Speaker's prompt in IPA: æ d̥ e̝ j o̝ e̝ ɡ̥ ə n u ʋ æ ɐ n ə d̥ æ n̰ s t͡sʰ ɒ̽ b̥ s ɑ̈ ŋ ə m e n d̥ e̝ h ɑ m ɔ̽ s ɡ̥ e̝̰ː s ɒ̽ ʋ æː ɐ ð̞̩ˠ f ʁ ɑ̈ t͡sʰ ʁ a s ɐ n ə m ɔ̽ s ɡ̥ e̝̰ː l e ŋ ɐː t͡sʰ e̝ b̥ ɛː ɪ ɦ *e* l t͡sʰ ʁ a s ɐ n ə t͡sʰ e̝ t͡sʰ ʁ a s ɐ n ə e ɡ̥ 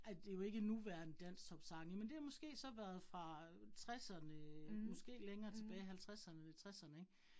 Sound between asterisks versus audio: incorrect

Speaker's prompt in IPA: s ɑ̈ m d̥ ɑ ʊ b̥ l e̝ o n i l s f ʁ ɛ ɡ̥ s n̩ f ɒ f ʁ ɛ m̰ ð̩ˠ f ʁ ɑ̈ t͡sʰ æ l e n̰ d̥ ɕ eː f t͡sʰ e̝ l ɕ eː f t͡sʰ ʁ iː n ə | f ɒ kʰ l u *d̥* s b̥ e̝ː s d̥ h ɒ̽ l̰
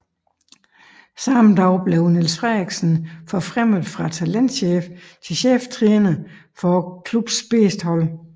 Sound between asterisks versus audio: incorrect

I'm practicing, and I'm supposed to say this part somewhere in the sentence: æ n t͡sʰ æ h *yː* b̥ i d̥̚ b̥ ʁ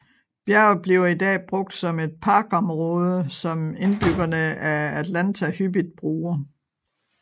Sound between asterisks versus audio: incorrect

